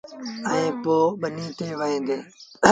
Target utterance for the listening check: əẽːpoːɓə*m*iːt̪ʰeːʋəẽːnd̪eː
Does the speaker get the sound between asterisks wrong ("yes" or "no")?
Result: yes